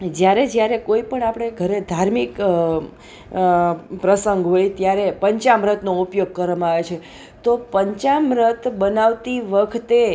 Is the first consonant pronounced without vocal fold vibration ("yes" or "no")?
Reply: no